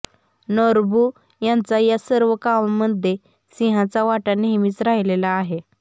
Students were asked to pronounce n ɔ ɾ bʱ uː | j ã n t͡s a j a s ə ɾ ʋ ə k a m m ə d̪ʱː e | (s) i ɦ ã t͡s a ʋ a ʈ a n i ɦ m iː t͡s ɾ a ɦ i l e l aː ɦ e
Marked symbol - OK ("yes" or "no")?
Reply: yes